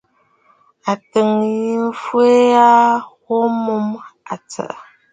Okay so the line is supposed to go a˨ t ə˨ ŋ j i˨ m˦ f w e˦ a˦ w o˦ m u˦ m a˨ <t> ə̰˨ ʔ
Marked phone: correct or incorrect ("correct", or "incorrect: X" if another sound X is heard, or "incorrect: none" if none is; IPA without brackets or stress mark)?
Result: incorrect: t͡s